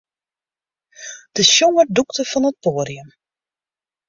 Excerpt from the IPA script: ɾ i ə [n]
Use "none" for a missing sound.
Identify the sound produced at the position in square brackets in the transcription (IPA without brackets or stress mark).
m